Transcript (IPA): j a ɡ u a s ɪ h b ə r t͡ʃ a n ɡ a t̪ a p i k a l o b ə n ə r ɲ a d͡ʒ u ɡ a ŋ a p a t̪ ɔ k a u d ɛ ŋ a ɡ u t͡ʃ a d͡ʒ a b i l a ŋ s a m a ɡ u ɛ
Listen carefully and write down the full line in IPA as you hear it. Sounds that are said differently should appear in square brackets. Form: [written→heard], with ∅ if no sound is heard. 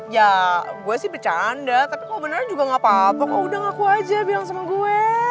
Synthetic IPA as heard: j a ɡ u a s ɪ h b ə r t͡ʃ a n [ɡ→d] a t̪ a p i k a l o b ə n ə r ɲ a d͡ʒ u ɡ a ŋ a p a t̪ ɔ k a u d [ɛ→a] ŋ a [ɡ→k] u [t͡ʃ→∅] a d͡ʒ a b i l a ŋ s a m a ɡ u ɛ